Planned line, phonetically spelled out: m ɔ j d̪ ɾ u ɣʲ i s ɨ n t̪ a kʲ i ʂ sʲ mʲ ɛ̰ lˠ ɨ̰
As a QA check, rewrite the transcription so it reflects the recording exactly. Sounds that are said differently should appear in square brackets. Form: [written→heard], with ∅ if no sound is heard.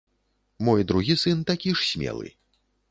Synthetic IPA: m ɔ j d̪ ɾ u ɣʲ i s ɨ n t̪ a kʲ i ʂ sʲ mʲ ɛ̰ lˠ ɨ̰